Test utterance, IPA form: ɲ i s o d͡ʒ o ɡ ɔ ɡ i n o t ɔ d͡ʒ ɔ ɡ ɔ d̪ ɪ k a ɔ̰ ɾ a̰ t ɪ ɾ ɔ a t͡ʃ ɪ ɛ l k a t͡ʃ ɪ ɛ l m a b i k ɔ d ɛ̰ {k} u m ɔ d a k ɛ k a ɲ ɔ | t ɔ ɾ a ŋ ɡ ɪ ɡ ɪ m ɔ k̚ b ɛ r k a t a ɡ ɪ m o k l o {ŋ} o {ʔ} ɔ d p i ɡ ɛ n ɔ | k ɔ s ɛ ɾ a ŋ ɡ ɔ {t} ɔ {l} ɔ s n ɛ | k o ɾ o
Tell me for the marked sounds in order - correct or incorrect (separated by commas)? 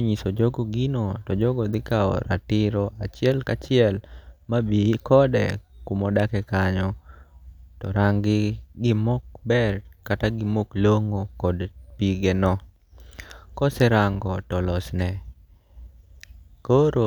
correct, correct, incorrect, correct, correct